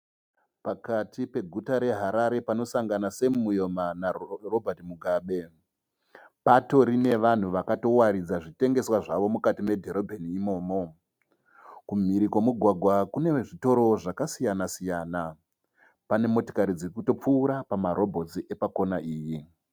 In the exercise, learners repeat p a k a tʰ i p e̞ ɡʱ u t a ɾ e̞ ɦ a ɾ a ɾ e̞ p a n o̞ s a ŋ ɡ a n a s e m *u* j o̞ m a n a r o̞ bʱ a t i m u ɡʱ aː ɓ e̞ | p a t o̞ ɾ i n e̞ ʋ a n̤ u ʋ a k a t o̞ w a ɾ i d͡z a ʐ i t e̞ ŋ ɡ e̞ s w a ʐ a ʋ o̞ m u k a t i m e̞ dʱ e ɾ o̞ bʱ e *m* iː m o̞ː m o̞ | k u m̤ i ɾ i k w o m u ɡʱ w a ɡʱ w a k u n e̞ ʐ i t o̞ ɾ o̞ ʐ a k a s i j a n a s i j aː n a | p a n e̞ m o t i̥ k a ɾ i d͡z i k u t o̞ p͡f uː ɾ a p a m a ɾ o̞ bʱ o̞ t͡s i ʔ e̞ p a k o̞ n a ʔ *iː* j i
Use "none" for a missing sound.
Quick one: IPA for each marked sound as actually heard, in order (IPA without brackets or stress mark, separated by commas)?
u, n, iː